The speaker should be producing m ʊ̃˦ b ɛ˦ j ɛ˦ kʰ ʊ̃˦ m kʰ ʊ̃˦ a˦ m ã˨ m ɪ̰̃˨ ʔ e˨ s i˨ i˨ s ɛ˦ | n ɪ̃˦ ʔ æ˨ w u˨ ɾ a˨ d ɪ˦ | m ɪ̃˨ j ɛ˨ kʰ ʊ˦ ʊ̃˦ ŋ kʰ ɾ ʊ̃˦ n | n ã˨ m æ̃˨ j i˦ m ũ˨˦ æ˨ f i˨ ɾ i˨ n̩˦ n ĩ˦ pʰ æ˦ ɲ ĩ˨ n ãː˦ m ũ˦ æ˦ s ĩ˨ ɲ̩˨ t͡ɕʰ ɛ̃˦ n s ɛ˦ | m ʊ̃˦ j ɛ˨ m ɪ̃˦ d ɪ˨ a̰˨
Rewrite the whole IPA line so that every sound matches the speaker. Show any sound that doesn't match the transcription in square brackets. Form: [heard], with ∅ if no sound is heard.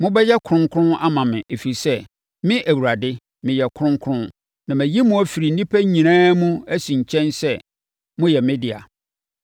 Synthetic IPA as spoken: m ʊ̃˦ b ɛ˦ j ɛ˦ kʰ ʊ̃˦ [ŋ] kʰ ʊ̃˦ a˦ m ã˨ m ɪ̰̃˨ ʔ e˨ [f] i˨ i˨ s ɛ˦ | [m] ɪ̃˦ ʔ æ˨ w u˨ ɾ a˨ d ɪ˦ | m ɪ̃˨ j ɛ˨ kʰ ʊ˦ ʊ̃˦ ŋ kʰ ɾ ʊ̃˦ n | n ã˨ m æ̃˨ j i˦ m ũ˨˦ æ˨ f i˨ ɾ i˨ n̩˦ n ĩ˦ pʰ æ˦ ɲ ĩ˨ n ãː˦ m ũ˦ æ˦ s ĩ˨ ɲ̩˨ t͡ɕʰ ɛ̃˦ n s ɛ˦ | m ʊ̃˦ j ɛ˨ m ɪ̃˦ d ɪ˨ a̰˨

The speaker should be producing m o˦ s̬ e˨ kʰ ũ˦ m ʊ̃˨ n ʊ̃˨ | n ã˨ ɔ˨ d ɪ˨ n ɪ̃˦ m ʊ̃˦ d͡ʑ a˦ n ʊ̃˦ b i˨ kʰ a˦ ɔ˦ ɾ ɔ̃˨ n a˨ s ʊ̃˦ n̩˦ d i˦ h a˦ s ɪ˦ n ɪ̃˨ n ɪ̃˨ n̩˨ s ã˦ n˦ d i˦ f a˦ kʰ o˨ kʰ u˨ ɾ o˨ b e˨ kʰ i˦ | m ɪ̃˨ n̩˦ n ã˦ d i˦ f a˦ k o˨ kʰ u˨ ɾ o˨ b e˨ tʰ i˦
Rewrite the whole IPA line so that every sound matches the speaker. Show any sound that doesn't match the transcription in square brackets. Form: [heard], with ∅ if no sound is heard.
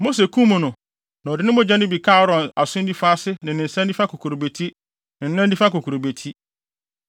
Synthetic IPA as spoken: m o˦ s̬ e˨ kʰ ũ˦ m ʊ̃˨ n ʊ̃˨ | n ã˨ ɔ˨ d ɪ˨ n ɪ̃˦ m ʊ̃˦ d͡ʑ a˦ n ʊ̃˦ b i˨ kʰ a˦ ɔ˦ ɾ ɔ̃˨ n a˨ s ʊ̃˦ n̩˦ d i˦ [f] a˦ s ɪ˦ n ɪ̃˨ n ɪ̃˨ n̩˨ s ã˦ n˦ d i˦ f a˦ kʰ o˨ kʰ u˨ ɾ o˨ b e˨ [tʰ] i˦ | [n] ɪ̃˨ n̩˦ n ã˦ d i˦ f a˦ k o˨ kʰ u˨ ɾ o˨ b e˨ tʰ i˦

